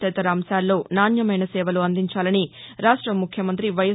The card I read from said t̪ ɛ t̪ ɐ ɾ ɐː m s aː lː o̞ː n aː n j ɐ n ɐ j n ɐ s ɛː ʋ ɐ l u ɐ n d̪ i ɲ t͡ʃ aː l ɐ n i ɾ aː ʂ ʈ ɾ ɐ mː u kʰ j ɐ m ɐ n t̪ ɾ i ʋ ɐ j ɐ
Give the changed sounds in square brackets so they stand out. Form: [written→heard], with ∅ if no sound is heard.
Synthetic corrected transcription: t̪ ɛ t̪ ɐ ɾ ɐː m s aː lː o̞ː n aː n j ɐ [n→m] ɐ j n ɐ s ɛː ʋ ɐ l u ɐ n d̪ i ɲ t͡ʃ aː l ɐ n i ɾ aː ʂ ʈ ɾ ɐ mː u kʰ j ɐ m ɐ n t̪ ɾ i ʋ ɐ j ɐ

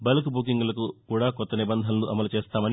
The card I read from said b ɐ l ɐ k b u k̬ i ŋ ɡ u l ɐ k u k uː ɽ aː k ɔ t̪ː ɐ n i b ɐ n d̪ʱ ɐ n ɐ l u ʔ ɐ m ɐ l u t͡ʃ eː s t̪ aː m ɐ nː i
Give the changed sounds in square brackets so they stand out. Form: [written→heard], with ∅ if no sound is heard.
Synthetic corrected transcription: b ɐ l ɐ k b u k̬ i ŋ ɡ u l ɐ k u k uː ɽ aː k ɔ t̪ː ɐ n i b ɐ n d̪ʱ ɐ n ɐ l u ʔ ɐ m ɐ l u t͡ʃ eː s t̪ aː m ɐ [nː→n] i

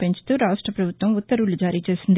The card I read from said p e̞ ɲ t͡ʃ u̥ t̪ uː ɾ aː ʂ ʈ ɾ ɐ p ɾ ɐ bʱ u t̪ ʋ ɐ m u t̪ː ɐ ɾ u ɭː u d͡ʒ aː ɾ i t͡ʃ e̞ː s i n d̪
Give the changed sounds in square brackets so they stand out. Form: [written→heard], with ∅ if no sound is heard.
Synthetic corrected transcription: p e̞ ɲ t͡ʃ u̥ t̪ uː ɾ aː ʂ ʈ ɾ ɐ p ɾ ɐ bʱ u t̪ ʋ ɐ m u t̪ː ɐ ɾ u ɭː u d͡ʒ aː ɾ [i→iː] t͡ʃ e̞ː s i n d̪

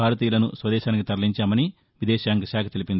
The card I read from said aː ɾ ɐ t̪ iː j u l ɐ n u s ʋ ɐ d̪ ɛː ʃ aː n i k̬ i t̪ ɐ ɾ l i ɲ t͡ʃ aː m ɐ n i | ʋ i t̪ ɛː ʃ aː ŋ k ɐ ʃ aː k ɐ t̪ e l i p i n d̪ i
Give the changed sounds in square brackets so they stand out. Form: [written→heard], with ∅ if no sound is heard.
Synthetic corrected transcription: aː ɾ ɐ t̪ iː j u l ɐ n u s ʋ ɐ d̪ ɛː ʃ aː n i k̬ i t̪ ɐ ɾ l i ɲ t͡ʃ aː m ɐ n i | ʋ i [t̪→d̪] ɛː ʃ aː ŋ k ɐ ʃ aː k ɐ t̪ e l i p i n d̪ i

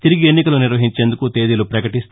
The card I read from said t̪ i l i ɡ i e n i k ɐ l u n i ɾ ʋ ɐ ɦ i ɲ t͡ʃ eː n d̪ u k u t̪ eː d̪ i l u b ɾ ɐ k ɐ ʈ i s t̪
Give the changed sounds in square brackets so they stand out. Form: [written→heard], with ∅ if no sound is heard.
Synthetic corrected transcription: t̪ i [l→ɾ] i ɡ i e [n→nː] i k ɐ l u n i ɾ ʋ ɐ ɦ i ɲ t͡ʃ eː n d̪ u k u t̪ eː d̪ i l u [b→p] ɾ ɐ k ɐ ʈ i s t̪

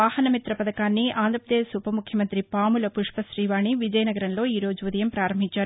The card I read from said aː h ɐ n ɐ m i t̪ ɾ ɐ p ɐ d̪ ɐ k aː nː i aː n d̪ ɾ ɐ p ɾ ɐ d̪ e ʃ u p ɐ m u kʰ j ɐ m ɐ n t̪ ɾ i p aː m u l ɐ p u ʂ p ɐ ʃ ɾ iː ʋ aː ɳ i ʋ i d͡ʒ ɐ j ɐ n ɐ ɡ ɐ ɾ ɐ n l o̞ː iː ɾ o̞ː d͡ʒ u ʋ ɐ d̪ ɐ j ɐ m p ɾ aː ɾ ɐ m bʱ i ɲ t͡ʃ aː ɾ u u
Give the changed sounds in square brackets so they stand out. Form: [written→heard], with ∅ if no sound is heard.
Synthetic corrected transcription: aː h ɐ n ɐ m i t̪ ɾ ɐ p ɐ d̪ ɐ k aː nː i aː n d̪ ɾ ɐ p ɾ ɐ d̪ e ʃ u p ɐ m u kʰ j ɐ m ɐ n t̪ ɾ i p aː m u l ɐ p u ʂ p ɐ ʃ ɾ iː ʋ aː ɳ i ʋ i d͡ʒ ɐ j ɐ n ɐ ɡ ɐ ɾ ɐ n l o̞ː iː ɾ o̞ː d͡ʒ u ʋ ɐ d̪ ɐ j ɐ m p ɾ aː ɾ ɐ m bʱ i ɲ t͡ʃ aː ɾ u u

